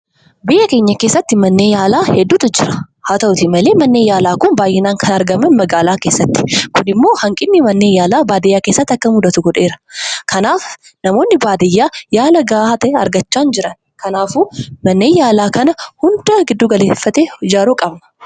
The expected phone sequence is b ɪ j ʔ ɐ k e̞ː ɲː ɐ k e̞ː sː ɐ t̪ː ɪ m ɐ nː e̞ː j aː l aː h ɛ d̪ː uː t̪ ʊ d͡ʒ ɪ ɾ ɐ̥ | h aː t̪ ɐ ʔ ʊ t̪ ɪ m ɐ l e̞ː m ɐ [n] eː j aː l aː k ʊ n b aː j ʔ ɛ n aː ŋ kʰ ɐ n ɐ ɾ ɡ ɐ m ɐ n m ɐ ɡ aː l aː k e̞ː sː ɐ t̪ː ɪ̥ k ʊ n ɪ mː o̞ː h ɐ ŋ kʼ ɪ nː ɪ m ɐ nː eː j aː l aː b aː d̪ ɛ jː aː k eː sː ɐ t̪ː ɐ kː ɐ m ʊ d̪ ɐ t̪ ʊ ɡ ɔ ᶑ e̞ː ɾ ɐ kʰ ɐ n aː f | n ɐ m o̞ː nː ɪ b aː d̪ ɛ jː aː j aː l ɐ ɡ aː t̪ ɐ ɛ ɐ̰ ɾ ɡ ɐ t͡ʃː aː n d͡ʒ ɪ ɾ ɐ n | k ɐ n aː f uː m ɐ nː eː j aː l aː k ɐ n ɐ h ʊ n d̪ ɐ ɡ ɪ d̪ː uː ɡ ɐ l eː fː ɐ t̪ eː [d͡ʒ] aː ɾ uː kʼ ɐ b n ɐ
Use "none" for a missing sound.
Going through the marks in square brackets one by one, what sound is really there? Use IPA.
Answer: nː, d͡ʒ

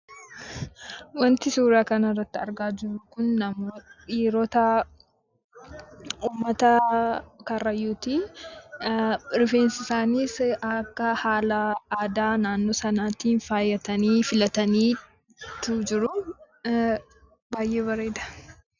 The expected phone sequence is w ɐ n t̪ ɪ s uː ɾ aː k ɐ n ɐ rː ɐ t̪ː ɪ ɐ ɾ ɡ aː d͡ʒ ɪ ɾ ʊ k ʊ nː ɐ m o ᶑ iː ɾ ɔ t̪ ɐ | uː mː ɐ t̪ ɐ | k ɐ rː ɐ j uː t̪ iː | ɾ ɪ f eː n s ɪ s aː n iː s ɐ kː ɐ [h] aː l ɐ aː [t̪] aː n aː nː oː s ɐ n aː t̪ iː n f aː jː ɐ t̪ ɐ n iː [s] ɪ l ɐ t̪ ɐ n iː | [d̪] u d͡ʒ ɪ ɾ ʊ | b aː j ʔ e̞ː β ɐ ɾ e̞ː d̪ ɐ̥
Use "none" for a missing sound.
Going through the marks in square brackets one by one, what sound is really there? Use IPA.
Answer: h, d̪, f, t̪

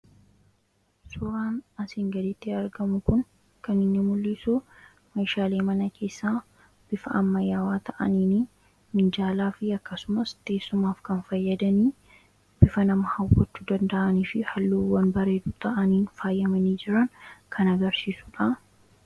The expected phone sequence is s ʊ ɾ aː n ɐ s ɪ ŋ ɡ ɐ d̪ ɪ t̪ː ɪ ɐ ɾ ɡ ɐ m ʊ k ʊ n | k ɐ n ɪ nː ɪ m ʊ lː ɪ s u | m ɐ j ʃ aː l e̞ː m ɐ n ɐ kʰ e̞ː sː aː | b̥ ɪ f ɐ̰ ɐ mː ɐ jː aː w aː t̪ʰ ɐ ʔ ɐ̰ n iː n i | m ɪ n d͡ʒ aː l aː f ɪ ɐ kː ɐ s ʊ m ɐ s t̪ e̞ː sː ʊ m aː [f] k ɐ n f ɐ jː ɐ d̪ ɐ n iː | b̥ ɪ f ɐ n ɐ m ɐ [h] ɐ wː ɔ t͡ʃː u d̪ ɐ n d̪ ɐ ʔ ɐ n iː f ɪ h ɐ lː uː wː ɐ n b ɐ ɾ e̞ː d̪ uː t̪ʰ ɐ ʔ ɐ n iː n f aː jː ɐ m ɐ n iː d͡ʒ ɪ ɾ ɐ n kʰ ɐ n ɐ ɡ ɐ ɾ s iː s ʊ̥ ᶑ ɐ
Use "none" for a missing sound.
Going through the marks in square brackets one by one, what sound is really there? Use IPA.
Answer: f, h

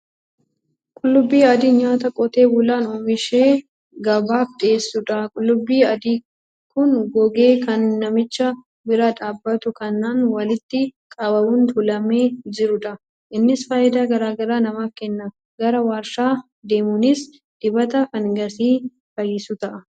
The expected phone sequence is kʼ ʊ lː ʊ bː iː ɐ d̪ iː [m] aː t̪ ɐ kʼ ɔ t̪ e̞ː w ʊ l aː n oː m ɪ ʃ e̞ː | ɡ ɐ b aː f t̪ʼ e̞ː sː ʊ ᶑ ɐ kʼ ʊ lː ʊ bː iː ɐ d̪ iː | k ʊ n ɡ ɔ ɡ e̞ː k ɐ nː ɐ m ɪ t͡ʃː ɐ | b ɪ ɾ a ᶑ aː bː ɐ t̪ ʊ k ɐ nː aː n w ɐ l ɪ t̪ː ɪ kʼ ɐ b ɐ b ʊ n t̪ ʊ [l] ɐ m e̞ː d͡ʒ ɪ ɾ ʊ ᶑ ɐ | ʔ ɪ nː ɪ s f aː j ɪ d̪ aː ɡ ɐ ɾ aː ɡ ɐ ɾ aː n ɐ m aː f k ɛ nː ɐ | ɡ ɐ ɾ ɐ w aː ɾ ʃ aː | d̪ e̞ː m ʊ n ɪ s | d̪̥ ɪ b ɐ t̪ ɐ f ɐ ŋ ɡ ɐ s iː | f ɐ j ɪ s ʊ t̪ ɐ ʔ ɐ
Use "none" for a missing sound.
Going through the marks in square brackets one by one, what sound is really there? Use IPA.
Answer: ɲ, l

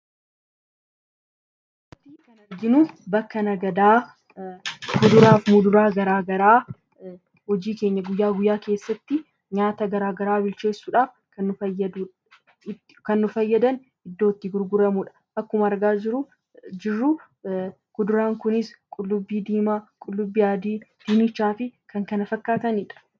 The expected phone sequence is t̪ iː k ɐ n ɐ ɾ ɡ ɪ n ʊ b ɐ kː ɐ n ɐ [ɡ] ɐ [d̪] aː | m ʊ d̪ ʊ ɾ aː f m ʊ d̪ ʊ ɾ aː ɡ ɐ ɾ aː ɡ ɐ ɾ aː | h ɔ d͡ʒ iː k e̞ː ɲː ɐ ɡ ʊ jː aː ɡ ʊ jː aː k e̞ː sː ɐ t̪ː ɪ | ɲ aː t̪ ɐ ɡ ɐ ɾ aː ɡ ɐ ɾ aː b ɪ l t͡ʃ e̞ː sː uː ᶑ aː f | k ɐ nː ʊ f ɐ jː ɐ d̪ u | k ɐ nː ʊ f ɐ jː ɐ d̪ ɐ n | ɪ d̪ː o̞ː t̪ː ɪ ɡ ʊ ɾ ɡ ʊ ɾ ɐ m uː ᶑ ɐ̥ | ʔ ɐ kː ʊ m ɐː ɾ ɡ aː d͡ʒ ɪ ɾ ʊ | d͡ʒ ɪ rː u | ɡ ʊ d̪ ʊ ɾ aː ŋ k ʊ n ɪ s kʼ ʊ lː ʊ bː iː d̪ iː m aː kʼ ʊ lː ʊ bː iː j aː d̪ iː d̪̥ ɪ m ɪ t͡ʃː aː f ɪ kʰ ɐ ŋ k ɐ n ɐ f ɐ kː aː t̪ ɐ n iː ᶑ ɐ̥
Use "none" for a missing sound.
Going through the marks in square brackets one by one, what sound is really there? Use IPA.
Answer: ɡ, d̪

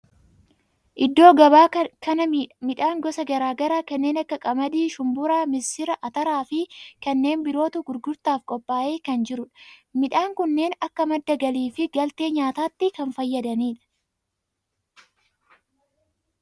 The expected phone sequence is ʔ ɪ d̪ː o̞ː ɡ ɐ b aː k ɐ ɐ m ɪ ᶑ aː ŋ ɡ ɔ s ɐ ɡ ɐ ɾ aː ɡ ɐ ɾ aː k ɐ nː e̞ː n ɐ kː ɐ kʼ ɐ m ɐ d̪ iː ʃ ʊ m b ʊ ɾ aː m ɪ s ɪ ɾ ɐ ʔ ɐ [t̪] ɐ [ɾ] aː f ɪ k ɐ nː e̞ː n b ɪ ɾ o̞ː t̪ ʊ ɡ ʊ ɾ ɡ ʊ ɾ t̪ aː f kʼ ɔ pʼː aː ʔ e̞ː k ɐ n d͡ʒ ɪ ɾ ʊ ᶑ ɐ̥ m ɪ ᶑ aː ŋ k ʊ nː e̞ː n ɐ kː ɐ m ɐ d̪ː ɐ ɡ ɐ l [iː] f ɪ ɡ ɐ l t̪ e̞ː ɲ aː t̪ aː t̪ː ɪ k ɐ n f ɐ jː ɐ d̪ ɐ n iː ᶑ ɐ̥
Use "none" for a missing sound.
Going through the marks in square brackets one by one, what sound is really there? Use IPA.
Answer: t̪, ɾ, iː

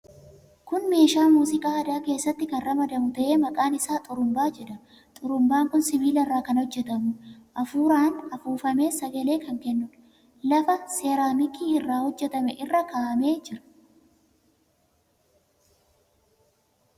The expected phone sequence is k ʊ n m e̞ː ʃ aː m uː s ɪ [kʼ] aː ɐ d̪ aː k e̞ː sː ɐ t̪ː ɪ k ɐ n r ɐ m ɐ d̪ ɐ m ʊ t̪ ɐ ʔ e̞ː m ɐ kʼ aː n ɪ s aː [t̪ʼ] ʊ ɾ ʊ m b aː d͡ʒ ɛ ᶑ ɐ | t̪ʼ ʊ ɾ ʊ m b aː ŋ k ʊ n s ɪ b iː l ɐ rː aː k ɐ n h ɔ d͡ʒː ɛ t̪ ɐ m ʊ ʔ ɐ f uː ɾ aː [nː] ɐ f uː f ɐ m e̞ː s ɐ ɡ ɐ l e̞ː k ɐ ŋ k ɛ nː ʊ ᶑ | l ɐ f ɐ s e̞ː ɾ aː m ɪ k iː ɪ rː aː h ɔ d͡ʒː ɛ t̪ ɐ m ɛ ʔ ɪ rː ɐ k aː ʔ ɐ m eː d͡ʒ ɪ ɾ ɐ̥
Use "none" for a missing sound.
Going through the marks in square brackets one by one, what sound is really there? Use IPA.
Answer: kʼ, t̪ʼ, n

